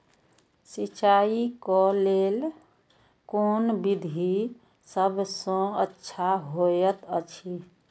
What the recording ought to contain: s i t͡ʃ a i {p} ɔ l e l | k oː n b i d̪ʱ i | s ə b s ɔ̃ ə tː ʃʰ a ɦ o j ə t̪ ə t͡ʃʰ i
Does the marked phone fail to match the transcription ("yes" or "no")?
yes